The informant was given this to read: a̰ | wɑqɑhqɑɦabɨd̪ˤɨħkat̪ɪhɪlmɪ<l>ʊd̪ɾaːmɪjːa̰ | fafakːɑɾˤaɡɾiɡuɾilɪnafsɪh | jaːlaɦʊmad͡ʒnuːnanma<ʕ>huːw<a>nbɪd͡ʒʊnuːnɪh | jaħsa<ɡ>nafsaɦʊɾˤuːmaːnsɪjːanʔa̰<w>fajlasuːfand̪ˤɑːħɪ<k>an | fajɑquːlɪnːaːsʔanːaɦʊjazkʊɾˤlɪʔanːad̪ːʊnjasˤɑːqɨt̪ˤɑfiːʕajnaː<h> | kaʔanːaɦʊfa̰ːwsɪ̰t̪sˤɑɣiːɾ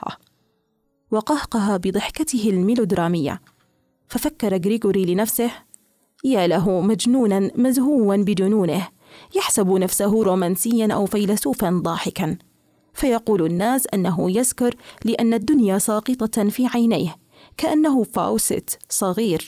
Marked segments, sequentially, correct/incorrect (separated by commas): correct, incorrect, correct, incorrect, correct, correct, correct